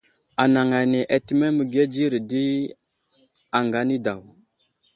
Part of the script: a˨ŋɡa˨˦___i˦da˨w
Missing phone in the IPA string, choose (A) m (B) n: B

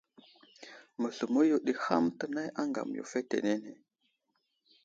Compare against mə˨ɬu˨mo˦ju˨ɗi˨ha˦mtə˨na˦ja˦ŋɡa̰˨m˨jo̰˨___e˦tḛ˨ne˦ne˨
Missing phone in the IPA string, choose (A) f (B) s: A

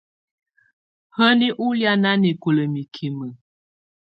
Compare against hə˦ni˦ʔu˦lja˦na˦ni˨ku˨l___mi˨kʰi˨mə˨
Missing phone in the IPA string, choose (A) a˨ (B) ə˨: B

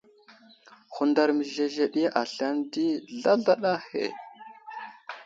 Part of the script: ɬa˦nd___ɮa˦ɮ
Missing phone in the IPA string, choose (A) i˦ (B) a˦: A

